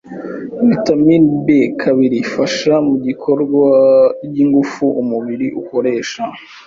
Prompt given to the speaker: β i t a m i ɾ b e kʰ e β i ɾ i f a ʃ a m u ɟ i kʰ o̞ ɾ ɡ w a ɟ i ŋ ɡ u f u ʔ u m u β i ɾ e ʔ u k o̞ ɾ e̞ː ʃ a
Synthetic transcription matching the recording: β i t a m i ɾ b e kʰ a β i ɾ i f a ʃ a m u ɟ i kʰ o̞ ɾ ɡ w a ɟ i ŋ ɡ u f u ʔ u m u β i ɾ i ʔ u k o̞ ɾ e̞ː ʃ a